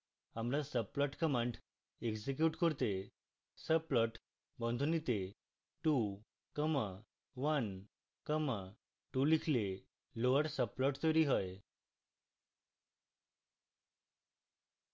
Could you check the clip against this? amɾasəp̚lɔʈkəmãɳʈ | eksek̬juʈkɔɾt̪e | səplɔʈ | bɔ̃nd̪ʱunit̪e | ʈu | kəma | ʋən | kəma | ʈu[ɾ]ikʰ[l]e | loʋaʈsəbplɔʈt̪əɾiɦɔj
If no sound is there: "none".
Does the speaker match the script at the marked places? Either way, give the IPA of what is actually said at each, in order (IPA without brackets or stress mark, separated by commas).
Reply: l, l